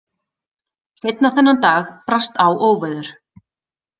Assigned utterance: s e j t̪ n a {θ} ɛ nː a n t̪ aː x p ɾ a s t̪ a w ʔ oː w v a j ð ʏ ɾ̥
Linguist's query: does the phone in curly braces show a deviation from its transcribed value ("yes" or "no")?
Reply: no